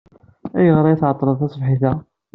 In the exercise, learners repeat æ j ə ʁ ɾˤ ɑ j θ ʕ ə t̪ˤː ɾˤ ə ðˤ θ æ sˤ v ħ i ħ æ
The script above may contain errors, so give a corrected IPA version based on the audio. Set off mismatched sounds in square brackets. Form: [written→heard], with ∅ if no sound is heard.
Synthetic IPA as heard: æ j ə ʁ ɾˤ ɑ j θ ʕ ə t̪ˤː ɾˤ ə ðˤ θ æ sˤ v ħ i [ħ→θ] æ

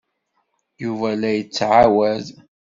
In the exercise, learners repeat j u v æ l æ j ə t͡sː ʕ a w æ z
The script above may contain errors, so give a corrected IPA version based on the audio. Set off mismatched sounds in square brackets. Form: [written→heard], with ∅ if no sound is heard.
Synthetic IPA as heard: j u v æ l æ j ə t͡sː ʕ a w æ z

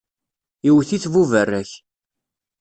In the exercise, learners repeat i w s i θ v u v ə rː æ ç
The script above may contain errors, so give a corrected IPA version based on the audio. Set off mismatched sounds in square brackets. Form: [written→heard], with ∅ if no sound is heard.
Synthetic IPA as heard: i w [s→θ] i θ v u v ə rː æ ç

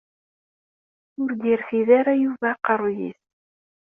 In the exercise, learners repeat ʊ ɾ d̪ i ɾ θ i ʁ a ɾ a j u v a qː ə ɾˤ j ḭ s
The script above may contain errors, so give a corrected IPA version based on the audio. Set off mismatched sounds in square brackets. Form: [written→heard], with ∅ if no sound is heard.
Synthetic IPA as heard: ʊ ɾ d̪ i ɾ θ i [ʁ→ð] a ɾ a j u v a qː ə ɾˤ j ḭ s

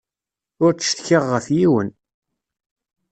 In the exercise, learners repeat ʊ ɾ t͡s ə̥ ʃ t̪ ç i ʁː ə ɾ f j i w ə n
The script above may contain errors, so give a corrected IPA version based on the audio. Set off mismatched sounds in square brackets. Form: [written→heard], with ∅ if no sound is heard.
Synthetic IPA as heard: ʊ ɾ t͡s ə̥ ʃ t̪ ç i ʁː ə [ɾ→∅] f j i w ə n

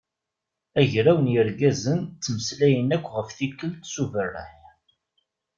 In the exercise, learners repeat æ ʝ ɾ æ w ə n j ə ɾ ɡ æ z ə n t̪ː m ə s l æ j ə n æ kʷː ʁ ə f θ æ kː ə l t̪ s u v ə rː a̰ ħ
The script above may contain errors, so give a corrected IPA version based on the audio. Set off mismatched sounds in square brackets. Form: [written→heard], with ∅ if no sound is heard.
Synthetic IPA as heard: æ ʝ ɾ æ w ə n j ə ɾ ɡ æ z ə n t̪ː m ə s l æ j ə n æ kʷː ʁ ə f θ [æ→i] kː ə l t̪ s u v ə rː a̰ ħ

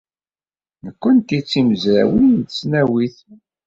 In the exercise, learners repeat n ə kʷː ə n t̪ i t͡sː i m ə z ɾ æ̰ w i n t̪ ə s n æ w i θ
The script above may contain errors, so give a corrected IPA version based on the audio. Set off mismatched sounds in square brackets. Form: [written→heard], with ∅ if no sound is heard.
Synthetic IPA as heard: n ə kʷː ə n t̪ i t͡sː i m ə z ɾ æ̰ w i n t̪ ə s n æ w i θ

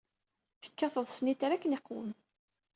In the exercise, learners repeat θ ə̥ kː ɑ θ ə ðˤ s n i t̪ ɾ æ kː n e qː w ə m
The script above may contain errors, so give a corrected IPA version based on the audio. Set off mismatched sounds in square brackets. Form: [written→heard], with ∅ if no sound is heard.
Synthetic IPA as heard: θ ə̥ kː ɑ θ ə ðˤ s n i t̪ ɾ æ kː n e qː w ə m

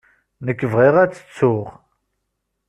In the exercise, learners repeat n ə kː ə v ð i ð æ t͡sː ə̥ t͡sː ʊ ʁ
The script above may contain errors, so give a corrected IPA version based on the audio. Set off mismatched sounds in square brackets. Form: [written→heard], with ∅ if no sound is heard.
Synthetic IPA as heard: n ə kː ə v [ð→ʁ] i [ð→ʁ] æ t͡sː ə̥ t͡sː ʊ ʁ

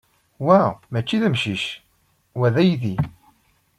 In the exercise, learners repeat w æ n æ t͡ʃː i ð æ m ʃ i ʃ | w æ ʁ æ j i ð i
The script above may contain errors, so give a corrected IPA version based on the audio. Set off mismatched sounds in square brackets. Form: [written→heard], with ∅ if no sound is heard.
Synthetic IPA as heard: w æ [n→m] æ t͡ʃː i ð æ m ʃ i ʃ | w æ [ʁ→ð] æ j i ð i

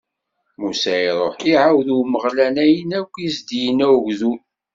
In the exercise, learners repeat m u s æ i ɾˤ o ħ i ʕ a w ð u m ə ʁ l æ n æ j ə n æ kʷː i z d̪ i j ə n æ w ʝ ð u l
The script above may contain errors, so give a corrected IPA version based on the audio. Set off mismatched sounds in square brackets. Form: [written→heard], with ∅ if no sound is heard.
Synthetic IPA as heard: m u s æ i ɾˤ o ħ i ʕ a w ð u m ə ʁ l æ n æ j ə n æ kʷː i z d̪ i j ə n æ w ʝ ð u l

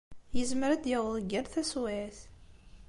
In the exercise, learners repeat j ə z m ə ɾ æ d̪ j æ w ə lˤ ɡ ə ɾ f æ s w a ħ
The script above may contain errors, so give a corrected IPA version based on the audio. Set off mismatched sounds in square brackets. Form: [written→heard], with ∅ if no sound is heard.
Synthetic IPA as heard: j ə z m ə ɾ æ d̪ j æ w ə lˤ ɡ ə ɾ [f→θ] æ s w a [ħ→θ]

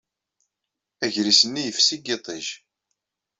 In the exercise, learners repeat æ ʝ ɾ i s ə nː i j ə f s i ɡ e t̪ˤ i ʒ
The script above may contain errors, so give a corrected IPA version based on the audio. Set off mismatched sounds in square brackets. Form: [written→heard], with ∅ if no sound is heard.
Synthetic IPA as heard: æ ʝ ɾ i s ə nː i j ə f s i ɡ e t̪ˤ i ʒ

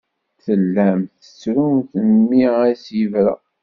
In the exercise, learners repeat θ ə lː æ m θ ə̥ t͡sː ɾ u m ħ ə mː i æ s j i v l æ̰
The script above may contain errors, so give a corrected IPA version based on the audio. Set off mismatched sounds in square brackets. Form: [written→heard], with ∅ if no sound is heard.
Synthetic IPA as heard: θ ə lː æ m θ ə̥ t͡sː ɾ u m [ħ→θ] ə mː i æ s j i v [l→ɾ] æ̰

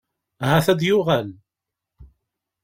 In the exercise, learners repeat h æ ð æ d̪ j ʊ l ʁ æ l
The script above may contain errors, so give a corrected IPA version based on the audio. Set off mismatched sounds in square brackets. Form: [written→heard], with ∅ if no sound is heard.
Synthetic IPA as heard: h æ [ð→θ] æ d̪ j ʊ [l→∅] ʁ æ l

